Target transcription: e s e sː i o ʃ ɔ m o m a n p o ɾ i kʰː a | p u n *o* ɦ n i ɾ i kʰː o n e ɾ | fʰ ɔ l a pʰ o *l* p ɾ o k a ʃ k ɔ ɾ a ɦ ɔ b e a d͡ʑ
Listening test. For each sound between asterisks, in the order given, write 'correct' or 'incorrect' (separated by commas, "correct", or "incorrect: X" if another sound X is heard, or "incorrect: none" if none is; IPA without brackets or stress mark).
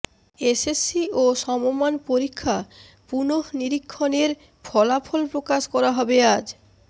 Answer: correct, correct